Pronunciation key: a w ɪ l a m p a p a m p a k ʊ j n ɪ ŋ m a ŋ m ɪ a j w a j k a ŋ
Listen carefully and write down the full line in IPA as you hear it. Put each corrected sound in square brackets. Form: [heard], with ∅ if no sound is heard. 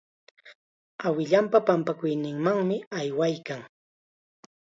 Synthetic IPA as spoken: a w ɪ [ʎ] a m p a p a m p a k ʊ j n ɪ ŋ m a ŋ m ɪ a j w a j k a ŋ